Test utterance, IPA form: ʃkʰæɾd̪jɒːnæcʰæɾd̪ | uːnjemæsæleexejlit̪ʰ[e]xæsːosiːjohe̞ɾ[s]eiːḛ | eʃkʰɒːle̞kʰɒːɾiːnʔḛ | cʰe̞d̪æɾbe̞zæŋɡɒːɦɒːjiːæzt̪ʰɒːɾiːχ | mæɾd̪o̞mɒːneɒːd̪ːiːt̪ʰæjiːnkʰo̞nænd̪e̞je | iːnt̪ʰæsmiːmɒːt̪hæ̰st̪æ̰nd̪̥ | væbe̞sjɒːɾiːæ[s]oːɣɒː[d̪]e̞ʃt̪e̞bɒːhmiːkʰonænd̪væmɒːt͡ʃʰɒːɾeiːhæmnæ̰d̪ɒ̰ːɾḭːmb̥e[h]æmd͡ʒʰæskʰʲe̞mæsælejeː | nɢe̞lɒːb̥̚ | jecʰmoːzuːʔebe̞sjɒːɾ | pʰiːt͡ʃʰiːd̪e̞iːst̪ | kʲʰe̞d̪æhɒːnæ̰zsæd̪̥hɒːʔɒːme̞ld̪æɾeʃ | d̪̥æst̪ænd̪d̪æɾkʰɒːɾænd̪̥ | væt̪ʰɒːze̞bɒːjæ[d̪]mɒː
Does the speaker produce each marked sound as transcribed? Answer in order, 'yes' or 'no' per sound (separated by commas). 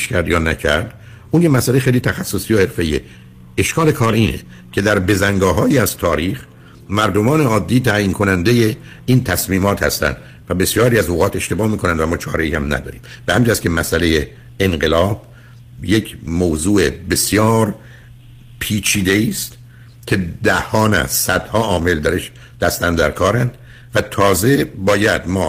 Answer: no, no, no, no, yes, yes